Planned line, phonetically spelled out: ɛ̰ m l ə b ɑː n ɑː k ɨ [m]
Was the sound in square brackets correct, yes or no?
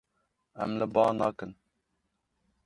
no